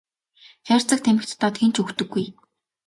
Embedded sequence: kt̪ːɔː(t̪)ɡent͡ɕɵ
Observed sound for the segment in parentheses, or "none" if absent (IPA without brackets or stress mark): t̪